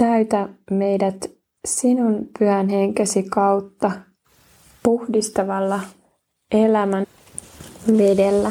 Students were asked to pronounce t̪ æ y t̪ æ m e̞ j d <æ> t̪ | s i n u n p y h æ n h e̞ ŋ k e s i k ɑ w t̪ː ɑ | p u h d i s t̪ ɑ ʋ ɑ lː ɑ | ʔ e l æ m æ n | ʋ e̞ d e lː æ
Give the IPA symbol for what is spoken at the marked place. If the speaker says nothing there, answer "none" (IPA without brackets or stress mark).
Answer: æ